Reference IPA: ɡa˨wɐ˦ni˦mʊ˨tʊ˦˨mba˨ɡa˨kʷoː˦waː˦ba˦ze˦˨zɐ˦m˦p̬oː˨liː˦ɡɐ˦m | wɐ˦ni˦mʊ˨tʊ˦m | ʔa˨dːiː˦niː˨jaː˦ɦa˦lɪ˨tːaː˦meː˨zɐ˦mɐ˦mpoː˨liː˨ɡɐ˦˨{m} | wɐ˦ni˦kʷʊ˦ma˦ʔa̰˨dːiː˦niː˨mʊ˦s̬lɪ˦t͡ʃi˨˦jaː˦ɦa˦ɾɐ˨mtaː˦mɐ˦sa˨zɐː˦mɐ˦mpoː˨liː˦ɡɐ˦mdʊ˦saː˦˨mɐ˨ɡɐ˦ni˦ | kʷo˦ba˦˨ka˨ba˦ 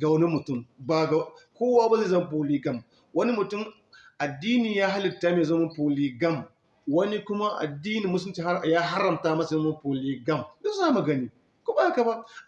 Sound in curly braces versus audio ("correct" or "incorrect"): correct